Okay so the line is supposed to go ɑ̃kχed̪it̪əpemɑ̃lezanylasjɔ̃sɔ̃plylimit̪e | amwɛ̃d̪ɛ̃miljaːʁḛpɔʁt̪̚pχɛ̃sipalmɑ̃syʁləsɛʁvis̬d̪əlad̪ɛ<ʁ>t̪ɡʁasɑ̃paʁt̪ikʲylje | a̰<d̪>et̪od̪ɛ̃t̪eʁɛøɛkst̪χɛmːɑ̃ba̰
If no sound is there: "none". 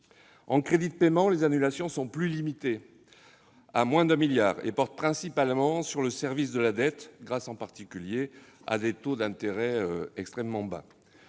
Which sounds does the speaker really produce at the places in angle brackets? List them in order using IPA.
none, d̪

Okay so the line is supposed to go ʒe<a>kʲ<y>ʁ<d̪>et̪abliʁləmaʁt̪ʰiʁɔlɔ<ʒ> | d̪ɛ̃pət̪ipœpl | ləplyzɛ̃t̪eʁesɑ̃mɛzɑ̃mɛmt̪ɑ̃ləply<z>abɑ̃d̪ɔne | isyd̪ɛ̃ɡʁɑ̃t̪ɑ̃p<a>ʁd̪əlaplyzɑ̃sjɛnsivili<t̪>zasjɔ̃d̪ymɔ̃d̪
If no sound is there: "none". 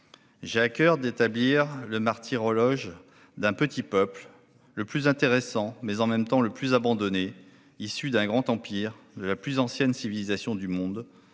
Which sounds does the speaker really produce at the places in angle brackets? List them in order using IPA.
a, œ, d̪, ʒ, z, i, none

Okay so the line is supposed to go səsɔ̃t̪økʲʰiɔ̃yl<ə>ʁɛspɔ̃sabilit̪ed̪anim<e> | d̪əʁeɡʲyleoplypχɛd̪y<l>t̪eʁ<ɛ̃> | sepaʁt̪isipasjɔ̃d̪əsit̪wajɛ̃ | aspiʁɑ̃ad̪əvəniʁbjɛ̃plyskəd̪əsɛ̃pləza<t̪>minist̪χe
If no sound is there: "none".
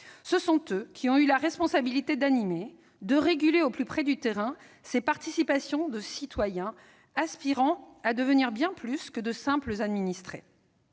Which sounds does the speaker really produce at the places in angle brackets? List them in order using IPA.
a, e, none, ɛ̃, d̪

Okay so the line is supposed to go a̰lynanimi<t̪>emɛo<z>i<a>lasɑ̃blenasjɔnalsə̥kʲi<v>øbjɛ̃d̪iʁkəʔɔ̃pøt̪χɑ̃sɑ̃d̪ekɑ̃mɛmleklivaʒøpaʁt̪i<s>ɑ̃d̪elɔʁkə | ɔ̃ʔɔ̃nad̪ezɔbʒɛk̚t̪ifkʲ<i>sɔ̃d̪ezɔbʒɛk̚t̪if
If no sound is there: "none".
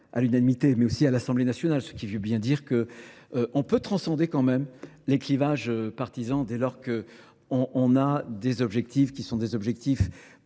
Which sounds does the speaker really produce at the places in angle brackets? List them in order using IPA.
t̪, s, a, v, z, i

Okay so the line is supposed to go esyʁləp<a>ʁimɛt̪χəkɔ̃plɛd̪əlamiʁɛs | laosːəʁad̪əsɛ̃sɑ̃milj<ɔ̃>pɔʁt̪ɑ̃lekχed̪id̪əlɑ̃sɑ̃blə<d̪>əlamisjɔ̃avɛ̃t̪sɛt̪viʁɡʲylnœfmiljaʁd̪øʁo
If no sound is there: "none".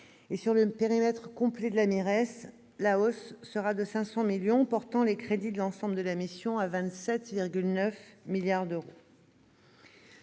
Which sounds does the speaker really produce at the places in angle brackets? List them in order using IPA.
e, ɔ̃, d̪

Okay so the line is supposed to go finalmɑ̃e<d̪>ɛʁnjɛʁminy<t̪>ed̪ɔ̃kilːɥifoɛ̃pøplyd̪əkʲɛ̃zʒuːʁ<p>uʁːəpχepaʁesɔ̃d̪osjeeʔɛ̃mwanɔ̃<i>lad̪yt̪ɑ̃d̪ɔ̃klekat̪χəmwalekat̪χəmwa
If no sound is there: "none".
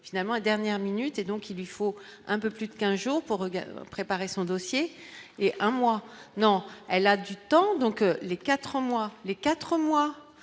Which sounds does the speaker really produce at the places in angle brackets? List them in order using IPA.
d̪, t̪, p, ɛ

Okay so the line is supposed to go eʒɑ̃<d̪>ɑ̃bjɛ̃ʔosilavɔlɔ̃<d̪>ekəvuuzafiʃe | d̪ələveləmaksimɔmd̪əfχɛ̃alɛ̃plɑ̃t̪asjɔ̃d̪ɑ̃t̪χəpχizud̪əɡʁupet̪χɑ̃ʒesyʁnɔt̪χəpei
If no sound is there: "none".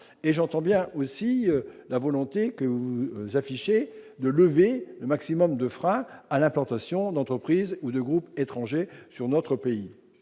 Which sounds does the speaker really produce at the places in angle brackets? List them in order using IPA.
t̪, t̪

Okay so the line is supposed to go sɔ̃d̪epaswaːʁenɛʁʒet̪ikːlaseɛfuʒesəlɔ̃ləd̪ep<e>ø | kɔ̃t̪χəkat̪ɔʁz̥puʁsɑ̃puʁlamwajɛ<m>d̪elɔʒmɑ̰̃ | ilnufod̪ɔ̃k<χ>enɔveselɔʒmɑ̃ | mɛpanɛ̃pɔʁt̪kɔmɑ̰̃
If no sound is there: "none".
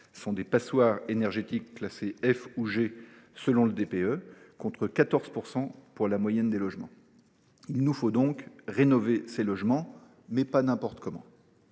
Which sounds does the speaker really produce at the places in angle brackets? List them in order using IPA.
e, n, ʁ

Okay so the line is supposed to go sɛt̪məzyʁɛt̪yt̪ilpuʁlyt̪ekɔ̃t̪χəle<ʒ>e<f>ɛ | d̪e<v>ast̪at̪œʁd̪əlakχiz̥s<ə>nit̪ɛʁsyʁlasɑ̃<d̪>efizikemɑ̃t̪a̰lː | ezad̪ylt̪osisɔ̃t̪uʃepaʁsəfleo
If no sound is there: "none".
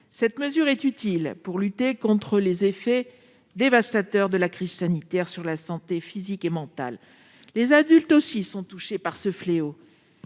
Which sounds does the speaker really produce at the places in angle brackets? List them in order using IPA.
z, f, v, a, t̪

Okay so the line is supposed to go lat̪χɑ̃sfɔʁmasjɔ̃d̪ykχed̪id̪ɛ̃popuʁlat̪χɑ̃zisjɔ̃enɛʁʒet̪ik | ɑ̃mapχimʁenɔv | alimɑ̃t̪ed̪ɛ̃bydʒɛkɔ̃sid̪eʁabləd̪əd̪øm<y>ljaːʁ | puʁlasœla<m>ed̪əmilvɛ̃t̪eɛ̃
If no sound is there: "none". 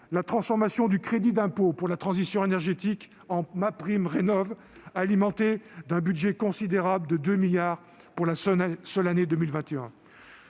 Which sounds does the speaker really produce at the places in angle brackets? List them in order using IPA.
i, n

